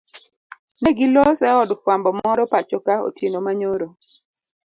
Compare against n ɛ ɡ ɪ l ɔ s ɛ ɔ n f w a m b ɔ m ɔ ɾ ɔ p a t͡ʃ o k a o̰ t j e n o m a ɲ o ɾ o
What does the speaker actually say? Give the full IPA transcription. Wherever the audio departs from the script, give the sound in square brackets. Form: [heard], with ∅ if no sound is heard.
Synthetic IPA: n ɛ ɡ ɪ l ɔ s ɛ ɔ [d] f w a m b ɔ m ɔ ɾ ɔ p a t͡ʃ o k a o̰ t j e n o m a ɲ o ɾ o